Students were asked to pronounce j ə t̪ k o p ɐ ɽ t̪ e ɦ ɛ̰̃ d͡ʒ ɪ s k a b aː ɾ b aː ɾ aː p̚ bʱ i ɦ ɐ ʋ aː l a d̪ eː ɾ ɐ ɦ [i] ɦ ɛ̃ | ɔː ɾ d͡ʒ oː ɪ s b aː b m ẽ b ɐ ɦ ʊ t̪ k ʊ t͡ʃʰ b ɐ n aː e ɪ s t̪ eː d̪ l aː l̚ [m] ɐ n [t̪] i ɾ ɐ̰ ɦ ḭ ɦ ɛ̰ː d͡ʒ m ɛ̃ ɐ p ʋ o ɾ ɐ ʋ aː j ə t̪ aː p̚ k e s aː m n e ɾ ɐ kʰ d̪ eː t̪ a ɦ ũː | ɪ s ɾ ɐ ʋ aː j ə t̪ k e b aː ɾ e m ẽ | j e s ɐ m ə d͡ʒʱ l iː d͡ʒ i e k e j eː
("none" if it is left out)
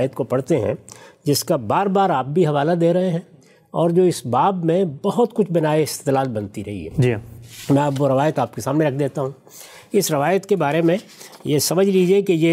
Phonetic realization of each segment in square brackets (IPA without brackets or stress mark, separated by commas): e, b, t̪